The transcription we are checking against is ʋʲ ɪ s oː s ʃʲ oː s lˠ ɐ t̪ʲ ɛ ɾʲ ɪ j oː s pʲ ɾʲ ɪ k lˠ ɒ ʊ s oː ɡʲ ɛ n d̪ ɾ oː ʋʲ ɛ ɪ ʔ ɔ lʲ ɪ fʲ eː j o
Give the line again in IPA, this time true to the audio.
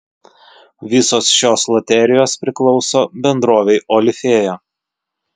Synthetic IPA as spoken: ʋʲ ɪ s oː s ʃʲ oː s lˠ ɐ t̪ʲ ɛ ɾʲ ɪ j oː s pʲ ɾʲ ɪ k lˠ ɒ ʊ s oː bʲ ɛ n d̪ ɾ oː ʋʲ ɛ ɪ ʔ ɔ lʲ ɪ fʲ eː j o